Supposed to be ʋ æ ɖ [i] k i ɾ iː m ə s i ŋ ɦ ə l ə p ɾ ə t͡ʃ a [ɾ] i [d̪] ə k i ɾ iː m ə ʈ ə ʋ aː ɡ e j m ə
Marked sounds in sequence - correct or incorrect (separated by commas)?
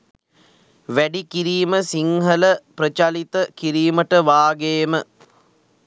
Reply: correct, incorrect, incorrect